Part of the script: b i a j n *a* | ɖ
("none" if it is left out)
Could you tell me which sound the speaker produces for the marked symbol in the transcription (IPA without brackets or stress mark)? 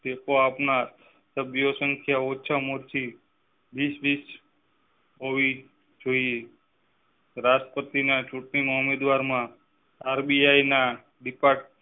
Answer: a